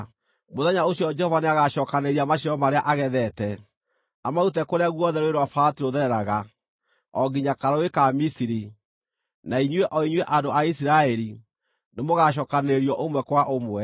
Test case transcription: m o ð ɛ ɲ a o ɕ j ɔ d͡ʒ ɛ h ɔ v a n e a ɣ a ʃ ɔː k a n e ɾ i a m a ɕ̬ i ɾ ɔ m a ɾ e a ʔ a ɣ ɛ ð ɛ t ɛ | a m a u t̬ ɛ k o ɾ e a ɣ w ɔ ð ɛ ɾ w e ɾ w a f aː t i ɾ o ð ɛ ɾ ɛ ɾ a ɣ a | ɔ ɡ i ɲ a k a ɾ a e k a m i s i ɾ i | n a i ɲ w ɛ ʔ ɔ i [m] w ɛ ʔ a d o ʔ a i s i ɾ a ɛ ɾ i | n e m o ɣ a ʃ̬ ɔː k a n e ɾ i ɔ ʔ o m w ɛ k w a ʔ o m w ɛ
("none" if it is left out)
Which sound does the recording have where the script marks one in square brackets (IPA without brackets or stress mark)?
ɲ